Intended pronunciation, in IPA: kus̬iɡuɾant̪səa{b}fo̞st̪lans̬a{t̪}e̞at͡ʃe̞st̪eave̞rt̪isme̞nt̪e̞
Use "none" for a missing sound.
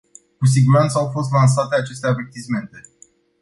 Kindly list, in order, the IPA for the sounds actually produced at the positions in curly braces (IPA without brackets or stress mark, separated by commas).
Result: w, t̪